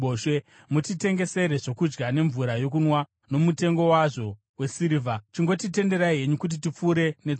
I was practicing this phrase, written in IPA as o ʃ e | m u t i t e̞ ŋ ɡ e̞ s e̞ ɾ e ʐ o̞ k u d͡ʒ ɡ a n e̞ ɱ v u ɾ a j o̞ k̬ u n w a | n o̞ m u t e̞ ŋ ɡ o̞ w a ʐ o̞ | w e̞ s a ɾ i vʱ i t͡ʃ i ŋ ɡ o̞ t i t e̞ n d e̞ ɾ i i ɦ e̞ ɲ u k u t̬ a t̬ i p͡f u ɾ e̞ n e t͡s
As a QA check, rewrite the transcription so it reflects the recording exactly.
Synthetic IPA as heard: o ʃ e | m u t i t e̞ ŋ ɡ e̞ s e̞ ɾ e ʐ o̞ k u d͡ʒ ɡ a n e̞ ɱ v u ɾ a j o̞ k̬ u n w a | n o̞ m u t e̞ ŋ ɡ o̞ w a ʐ o̞ | w e̞ s i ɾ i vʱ a t͡ʃ i ŋ ɡ o̞ t i t e̞ n d e̞ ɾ a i ɦ e̞ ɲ u k u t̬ i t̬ i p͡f u ɾ e̞ n e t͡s